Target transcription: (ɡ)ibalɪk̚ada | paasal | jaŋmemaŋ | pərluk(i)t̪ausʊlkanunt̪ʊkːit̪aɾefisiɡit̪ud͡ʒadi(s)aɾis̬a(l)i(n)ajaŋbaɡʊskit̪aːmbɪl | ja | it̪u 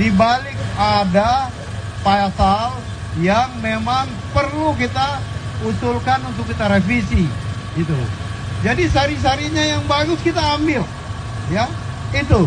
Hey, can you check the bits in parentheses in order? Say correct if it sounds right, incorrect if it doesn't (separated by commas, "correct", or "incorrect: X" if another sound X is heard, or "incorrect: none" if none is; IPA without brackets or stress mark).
incorrect: d, correct, correct, incorrect: ɾ, incorrect: ɲ